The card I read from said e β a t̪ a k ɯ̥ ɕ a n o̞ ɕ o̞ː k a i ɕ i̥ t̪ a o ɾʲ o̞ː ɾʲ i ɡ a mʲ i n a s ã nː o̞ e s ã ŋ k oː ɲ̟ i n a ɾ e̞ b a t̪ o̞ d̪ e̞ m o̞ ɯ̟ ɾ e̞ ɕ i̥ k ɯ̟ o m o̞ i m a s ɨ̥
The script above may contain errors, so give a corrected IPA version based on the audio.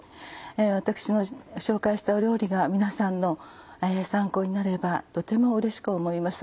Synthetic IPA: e β a t̪ a k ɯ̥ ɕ i n o̞ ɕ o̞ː k a i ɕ i̥ t̪ a o ɾʲ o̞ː ɾʲ i ɡ a mʲ i n a s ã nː o̞ e s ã ŋ k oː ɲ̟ i n a ɾ e̞ b a t̪ o̞ t̪ e̞ m o̞ ɯ̟ ɾ e̞ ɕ i̥ k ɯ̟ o m o̞ i m a s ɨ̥